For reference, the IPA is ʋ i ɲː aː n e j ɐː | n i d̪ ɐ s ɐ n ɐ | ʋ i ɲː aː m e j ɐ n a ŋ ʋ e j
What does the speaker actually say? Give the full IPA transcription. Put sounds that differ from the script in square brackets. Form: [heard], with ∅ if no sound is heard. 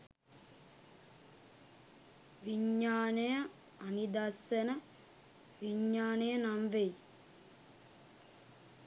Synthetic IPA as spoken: ʋ i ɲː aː n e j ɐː | n i d̪ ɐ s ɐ n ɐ | ʋ i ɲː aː [n] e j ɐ n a [m] ʋ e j